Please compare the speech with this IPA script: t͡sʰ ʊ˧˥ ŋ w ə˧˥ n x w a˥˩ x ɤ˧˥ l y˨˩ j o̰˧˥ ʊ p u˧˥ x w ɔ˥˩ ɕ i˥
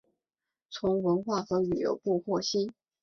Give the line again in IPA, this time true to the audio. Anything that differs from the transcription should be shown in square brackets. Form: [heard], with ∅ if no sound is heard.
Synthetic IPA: t͡sʰ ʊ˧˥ ŋ w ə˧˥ n x w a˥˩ x ɤ˧˥ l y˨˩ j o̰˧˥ ʊ p [u˥˧] x w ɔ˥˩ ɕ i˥